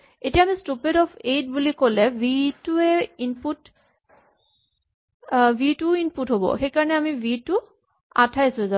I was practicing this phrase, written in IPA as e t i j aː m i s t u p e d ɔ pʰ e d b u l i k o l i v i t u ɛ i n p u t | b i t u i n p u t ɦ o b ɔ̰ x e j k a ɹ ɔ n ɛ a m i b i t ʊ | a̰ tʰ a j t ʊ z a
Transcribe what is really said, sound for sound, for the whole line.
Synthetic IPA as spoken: e t i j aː m i s t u p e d ɔ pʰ e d b u l i k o l ɛ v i t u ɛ i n p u t | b i t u i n p u t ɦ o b ɔ̰ x e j k a ɹ ɔ n ɛ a m i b i t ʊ | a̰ tʰ a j s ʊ z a